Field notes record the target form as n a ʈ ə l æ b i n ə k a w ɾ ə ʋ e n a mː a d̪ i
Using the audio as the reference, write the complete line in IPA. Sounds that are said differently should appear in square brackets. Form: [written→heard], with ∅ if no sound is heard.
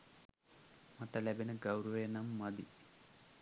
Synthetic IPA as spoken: [n→m] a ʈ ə l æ b [i→e] n ə [k→ɡ] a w ɾ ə ʋ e n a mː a d̪ i